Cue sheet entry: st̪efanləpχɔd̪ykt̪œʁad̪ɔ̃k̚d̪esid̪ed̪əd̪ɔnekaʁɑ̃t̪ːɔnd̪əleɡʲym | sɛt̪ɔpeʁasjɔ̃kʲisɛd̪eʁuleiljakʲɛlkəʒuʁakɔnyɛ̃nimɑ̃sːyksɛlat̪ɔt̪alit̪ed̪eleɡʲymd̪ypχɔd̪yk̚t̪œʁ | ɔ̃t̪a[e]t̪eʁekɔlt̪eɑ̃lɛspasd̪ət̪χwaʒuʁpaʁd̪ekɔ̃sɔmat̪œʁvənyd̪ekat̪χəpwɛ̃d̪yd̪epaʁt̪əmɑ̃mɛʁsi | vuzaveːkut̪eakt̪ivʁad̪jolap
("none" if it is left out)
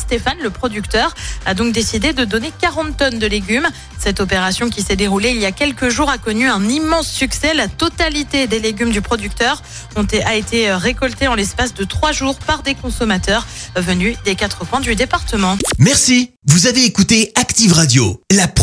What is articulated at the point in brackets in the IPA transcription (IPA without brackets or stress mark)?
e